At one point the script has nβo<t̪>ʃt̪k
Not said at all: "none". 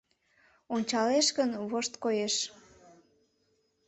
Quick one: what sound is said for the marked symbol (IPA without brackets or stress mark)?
none